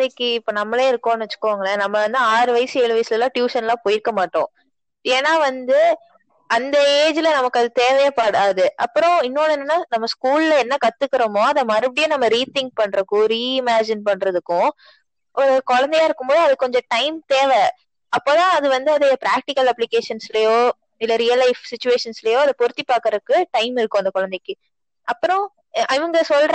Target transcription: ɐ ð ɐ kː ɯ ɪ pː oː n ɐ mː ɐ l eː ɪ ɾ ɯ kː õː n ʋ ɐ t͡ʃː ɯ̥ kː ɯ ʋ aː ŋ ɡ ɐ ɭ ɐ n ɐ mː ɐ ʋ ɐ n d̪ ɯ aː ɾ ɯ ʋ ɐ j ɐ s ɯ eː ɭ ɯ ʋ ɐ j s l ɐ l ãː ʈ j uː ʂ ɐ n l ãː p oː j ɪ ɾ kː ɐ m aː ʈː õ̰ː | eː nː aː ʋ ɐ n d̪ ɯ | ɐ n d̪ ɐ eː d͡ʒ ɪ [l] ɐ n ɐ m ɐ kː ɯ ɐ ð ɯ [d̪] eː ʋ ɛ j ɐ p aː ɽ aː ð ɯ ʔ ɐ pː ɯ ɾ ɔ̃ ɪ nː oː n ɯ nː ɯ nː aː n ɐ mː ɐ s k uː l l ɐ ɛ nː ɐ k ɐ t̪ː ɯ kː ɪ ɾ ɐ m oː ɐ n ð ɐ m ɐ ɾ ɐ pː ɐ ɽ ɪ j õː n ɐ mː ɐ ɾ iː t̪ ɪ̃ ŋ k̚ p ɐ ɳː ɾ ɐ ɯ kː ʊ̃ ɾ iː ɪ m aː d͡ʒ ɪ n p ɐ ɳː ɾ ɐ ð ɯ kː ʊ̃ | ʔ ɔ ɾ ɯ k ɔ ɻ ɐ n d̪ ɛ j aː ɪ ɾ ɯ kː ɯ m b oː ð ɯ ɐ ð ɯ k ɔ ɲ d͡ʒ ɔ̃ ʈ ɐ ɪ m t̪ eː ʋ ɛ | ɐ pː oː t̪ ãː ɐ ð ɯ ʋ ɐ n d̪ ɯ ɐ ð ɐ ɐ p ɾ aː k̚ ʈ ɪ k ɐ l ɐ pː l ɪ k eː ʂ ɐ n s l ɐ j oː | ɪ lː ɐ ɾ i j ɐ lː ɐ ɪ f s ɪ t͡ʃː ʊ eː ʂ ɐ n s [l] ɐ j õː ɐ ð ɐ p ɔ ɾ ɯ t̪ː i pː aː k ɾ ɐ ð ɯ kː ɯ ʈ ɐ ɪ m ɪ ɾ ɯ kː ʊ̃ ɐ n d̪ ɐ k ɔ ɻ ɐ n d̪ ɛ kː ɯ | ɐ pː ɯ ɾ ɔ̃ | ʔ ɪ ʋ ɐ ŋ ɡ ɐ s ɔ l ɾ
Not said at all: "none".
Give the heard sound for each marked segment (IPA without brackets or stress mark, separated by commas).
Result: l, t̪, l